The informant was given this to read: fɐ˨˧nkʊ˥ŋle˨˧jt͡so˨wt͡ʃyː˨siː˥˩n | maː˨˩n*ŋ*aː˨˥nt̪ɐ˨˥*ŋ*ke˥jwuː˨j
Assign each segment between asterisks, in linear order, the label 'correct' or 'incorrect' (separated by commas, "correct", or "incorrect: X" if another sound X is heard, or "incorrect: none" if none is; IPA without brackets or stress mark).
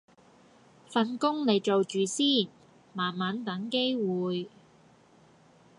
incorrect: m, correct